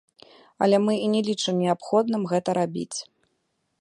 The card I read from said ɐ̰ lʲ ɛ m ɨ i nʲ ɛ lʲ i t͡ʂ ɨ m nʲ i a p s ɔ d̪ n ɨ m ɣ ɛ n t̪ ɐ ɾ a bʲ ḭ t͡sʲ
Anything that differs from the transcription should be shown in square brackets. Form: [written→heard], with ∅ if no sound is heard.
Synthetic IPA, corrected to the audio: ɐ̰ lʲ ɛ m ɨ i nʲ ɛ lʲ i t͡ʂ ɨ m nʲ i a p [s→x] ɔ d̪ n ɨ m ɣ ɛ [n→∅] t̪ ɐ ɾ a bʲ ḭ t͡sʲ